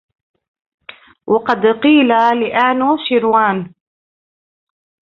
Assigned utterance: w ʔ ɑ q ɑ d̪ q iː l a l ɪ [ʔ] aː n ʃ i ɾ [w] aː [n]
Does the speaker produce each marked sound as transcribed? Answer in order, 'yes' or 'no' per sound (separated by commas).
yes, yes, yes